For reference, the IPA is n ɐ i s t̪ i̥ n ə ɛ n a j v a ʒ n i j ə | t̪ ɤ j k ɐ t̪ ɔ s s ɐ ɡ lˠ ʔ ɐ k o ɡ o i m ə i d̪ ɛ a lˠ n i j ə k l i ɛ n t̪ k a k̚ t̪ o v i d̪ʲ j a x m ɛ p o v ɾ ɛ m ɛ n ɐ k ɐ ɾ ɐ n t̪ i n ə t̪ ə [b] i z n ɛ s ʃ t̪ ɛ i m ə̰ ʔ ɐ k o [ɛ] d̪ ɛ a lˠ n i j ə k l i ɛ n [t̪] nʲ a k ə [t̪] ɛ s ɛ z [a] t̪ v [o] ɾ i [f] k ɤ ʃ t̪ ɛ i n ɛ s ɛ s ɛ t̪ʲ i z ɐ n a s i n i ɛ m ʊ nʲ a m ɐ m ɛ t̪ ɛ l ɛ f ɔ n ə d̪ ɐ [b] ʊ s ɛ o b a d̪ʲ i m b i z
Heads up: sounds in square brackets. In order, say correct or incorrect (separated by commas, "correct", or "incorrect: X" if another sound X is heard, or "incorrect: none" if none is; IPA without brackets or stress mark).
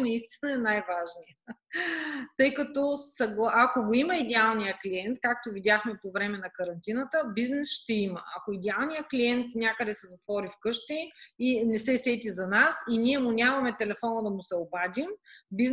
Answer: correct, incorrect: i, correct, incorrect: d̪, incorrect: ɐ, incorrect: ɔ, correct, incorrect: m